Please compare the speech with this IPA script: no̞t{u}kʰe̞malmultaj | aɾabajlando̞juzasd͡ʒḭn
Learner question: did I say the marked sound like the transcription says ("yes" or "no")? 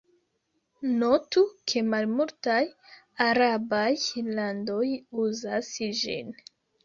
yes